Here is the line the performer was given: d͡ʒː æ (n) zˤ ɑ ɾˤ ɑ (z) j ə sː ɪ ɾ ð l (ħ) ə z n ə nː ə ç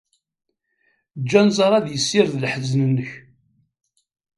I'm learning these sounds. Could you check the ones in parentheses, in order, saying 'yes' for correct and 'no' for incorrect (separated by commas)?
yes, no, yes